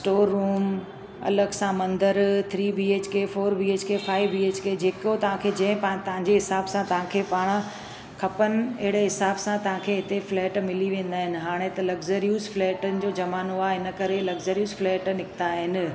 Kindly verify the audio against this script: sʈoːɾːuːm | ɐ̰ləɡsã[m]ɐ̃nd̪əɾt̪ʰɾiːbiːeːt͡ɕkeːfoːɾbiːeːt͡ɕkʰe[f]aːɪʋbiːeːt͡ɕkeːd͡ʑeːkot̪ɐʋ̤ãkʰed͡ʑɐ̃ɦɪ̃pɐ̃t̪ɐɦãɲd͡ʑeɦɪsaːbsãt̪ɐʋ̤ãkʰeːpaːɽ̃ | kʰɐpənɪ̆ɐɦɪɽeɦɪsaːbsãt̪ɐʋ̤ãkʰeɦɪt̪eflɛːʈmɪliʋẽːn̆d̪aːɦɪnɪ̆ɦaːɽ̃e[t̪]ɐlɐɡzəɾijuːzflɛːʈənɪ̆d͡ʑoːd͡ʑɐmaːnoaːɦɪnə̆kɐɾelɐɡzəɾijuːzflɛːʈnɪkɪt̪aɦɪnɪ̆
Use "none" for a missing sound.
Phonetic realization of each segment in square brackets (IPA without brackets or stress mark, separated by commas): m, f, t̪